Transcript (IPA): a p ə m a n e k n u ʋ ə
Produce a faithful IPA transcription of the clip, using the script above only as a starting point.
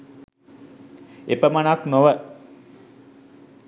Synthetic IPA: e p ə m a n a k n o ʋ ə